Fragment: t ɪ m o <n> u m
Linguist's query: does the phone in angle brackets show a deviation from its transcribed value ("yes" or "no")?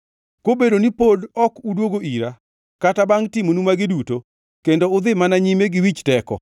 no